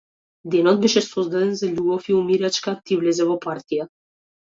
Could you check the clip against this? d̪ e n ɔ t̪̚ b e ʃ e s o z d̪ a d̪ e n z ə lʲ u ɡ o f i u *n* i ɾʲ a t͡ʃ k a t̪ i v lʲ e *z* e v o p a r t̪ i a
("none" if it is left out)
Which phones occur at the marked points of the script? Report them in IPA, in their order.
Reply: m, z

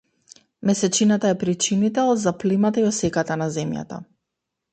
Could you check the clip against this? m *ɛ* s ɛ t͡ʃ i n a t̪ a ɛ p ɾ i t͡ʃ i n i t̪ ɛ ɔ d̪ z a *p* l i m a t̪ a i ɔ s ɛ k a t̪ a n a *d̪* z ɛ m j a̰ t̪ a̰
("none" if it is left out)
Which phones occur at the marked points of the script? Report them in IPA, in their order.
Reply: ɛ, p, none

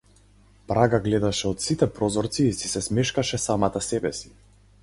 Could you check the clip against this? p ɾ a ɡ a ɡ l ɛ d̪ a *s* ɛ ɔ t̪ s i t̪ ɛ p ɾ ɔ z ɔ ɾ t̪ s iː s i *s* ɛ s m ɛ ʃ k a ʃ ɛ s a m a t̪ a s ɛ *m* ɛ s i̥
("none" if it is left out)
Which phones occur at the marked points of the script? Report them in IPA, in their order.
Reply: ʃ, s, b

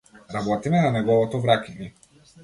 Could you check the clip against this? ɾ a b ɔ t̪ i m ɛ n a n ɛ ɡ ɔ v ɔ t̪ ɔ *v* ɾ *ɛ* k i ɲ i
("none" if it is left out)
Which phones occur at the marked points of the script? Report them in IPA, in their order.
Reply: v, a

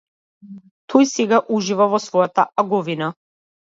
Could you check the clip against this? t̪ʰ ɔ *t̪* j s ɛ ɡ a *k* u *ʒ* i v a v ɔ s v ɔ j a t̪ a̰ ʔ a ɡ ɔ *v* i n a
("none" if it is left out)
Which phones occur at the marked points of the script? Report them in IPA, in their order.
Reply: none, ʔ, ʒ, v

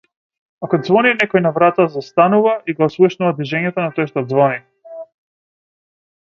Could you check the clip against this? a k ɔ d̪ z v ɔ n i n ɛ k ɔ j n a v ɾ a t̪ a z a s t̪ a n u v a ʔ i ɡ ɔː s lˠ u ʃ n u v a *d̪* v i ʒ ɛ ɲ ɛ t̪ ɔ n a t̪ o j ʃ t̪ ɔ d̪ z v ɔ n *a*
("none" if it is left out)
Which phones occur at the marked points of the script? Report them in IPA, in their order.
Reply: d̪, i

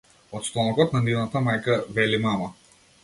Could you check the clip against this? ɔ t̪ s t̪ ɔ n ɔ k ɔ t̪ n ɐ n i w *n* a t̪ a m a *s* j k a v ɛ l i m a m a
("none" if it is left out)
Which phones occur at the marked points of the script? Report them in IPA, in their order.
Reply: n, none

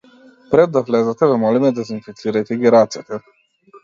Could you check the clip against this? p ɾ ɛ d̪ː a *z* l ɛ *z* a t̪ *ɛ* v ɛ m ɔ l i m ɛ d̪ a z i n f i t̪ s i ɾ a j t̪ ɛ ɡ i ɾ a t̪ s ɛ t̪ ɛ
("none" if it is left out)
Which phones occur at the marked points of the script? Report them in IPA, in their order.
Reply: v, z, ɛ

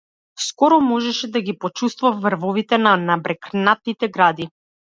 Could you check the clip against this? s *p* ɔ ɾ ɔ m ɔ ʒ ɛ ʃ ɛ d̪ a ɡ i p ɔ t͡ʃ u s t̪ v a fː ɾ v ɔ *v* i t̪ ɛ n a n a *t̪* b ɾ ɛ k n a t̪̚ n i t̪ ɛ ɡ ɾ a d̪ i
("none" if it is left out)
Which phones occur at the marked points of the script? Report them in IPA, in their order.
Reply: k, v, none

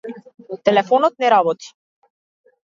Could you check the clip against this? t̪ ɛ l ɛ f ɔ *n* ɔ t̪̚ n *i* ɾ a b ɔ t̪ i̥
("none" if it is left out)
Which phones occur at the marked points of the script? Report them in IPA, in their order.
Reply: n, ɛ

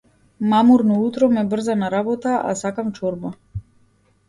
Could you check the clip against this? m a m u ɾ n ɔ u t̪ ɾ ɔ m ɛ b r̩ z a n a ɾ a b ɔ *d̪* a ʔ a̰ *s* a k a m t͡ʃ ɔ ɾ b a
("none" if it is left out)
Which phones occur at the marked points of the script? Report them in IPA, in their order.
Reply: t̪, s

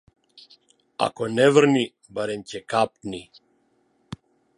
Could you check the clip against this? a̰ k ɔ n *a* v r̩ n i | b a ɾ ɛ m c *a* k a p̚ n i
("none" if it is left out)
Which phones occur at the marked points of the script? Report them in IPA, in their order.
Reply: ɛ, ɛ

